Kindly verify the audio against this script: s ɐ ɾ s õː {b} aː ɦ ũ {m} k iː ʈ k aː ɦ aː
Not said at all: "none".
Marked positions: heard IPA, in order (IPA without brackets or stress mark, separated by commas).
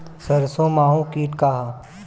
m, none